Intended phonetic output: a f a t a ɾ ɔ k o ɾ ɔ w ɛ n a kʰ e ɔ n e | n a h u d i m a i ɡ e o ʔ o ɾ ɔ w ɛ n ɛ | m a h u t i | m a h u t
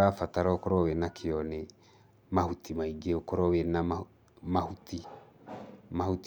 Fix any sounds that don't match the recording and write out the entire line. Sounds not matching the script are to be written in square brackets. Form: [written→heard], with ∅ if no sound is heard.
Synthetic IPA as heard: a f a t a ɾ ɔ k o ɾ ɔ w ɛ n a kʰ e ɔ n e | [n→m] a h u [d→t] i m a i ɡ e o [ʔ→k] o ɾ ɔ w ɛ n [ɛ→a] | m a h u t i | m a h u t